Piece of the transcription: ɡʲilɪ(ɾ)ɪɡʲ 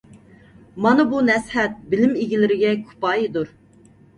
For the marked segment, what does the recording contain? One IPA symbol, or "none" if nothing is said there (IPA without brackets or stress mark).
ɾ